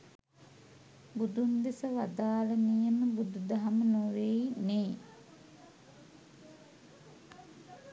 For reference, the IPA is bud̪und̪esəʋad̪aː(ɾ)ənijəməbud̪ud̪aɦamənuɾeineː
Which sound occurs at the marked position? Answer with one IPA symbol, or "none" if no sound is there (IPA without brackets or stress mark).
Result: l